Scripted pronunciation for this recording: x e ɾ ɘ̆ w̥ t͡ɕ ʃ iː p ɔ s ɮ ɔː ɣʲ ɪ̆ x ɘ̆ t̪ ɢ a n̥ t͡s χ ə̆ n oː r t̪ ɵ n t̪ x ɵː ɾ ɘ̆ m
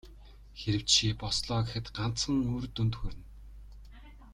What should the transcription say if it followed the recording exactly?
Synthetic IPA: x e ɾ ɘ̆ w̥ t͡ɕ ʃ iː p ɔ s ɮ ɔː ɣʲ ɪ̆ x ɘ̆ t̪ ɢ a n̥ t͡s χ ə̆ ŋ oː r t̪ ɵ n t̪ x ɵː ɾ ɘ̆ n